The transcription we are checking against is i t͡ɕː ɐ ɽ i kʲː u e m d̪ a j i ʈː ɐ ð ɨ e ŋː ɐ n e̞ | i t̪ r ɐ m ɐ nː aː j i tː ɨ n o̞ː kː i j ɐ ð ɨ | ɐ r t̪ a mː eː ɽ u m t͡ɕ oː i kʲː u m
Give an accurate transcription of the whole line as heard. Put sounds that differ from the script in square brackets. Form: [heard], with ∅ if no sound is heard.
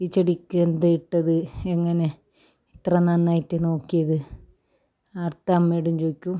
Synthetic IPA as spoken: i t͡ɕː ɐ ɽ i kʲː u e [n] d̪ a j i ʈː ɐ ð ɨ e ŋː ɐ n e̞ | i t̪ r ɐ [n] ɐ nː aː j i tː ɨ n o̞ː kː i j ɐ ð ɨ | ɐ r t̪ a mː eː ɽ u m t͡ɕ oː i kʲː u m